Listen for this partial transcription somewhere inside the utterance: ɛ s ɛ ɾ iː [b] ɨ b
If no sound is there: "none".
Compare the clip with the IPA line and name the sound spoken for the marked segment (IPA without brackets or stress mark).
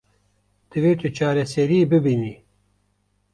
b